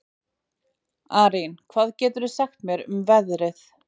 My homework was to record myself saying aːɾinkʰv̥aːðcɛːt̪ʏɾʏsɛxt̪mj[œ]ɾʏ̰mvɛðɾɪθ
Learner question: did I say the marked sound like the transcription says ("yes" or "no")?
no